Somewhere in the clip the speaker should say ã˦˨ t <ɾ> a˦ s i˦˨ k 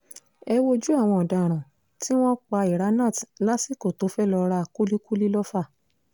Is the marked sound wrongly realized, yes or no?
yes